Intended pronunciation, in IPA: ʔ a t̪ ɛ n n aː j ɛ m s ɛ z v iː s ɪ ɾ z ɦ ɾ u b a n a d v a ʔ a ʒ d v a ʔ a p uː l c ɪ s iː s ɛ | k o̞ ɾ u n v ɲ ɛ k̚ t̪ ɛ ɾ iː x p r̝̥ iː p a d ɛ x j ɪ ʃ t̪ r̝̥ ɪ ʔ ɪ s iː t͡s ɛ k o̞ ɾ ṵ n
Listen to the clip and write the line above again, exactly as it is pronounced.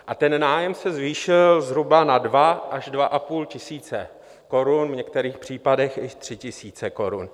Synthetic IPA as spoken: ʔ a t̪ ɛ n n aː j ɛ m s ɛ z v iː ʃ ɪ l z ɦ ɾ u b a n a d v a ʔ a ʒ d v a ʔ a p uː l c ɪ s iː t͡s ɛ | k o̞ ɾ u n v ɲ ɛ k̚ t̪ ɛ ɾ iː x p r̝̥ iː p a d ɛ x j ɪ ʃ t̪ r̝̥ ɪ c ɪ s iː t͡s ɛ k o̞ ɾ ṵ n